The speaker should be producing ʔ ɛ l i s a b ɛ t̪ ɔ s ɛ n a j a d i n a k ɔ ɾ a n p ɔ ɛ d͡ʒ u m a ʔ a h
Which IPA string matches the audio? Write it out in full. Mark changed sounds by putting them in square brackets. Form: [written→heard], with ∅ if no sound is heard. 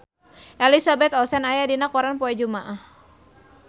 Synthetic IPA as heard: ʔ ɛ l i s a b ɛ t̪ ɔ s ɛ n a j a d i n a k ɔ ɾ a n p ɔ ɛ d͡ʒ u m a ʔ a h